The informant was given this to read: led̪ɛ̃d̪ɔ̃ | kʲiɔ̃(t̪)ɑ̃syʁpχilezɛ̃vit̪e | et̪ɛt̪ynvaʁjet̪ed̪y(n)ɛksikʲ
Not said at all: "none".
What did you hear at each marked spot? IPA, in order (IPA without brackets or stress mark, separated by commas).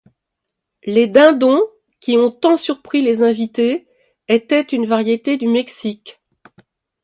t̪, m